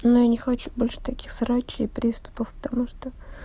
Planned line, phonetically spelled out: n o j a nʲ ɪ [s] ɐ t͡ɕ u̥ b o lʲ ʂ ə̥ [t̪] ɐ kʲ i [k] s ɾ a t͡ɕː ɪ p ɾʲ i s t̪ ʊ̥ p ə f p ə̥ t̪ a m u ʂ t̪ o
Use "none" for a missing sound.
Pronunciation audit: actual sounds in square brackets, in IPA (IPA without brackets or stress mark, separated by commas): x, t̪, x